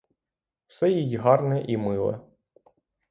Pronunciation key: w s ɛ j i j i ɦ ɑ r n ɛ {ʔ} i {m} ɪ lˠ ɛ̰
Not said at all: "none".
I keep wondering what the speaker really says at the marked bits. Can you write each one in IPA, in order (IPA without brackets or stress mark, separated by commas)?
ʔ, m